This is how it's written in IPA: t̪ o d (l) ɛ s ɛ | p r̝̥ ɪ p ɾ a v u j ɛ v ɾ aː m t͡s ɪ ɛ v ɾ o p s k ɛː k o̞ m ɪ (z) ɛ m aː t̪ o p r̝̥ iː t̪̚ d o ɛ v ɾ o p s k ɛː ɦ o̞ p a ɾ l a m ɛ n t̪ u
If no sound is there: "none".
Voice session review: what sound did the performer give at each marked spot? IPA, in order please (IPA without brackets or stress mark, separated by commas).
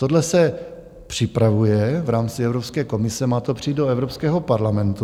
l, s